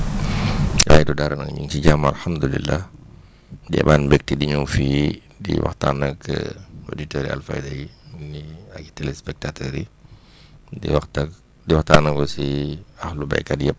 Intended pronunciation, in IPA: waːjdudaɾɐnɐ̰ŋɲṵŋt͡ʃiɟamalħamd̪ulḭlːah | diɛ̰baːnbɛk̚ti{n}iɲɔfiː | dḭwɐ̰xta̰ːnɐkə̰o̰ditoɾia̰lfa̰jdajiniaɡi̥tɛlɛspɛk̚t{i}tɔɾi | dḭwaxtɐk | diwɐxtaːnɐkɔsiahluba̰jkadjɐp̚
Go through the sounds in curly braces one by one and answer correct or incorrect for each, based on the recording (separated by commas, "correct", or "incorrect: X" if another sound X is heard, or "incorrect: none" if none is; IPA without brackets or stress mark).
incorrect: d, incorrect: a